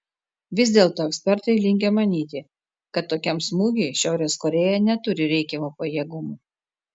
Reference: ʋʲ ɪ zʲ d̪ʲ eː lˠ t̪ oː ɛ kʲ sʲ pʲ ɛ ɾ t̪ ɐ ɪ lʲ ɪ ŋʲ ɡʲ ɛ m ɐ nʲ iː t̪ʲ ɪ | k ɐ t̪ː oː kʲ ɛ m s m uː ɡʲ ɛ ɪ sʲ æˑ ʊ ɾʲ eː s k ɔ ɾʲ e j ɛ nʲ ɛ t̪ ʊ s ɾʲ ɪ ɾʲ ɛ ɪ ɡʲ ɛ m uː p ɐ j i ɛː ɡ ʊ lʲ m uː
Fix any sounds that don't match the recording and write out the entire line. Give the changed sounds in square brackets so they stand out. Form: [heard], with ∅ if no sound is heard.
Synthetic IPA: ʋʲ ɪ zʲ d̪ʲ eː lˠ t̪ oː ɛ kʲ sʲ pʲ ɛ ɾ t̪ ɐ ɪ lʲ ɪ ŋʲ ɡʲ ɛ m ɐ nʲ iː t̪ʲ ɪ | k ɐ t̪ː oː kʲ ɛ m s m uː ɡʲ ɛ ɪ [ʃʲ] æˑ ʊ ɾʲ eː s k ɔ ɾʲ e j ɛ nʲ ɛ t̪ ʊ [∅] ɾʲ ɪ ɾʲ ɛ ɪ [kʲ] ɛ m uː p ɐ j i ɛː ɡ ʊ [∅] m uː